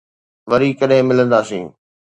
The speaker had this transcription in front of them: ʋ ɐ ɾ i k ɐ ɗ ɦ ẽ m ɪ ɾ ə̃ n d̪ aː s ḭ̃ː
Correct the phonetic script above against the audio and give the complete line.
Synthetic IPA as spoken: ʋ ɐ ɾ i k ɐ ɗ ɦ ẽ m ɪ l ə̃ n d̪ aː s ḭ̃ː